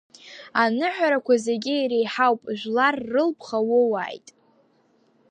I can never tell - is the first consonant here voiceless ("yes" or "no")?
no